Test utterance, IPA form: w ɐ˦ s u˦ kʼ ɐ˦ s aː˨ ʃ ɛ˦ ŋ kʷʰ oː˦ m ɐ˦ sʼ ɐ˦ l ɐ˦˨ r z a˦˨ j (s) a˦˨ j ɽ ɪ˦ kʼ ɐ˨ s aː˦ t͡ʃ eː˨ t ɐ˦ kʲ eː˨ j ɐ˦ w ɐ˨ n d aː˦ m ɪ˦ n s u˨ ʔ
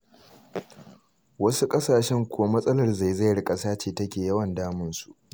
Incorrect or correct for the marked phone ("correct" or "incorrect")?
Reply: incorrect